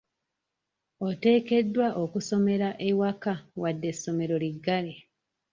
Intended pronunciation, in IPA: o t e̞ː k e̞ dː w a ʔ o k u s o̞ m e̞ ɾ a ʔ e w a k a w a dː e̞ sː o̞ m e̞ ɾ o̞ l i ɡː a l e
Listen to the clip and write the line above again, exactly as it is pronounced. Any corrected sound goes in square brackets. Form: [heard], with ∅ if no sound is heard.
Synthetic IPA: o t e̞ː k e̞ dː w a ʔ o k u s o̞ m e̞ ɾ a ʔ e w a k a w a dː e̞ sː o̞ m e̞ ɾ o̞ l i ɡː a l e